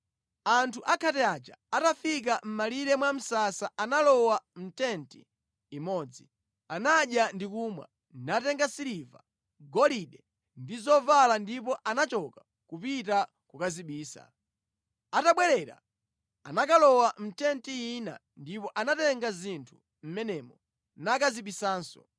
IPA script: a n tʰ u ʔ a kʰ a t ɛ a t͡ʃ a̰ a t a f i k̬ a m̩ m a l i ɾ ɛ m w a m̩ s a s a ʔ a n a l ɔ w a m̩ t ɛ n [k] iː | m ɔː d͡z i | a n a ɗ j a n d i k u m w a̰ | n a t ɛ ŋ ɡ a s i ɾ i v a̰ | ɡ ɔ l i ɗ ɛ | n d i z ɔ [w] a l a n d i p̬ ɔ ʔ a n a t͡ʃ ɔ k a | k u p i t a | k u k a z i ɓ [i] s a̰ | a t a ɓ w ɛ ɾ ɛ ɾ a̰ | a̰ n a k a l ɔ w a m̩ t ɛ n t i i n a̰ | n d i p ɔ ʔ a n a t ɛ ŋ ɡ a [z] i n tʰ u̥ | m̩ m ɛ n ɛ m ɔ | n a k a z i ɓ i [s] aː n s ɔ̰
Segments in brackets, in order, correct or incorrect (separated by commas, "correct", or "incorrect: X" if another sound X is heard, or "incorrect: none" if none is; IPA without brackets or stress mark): incorrect: t, incorrect: v, incorrect: iː, correct, correct